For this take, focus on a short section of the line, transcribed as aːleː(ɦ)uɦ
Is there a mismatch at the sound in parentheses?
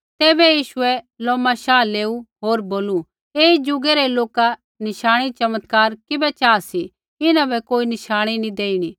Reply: yes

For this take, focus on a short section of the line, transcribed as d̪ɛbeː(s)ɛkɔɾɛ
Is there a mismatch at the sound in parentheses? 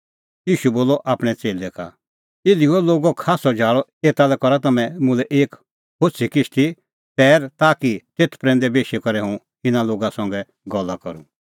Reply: yes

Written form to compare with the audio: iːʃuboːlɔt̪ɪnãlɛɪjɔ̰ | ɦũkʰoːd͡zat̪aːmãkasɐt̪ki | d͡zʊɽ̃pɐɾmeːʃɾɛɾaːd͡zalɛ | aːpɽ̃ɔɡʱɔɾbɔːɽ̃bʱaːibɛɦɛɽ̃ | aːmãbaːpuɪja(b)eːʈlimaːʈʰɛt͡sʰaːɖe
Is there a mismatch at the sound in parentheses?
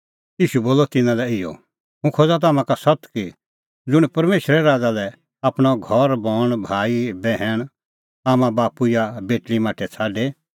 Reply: no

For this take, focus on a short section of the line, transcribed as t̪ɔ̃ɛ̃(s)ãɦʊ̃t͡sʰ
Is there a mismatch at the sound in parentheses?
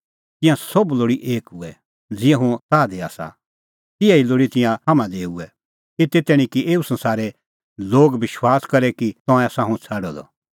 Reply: no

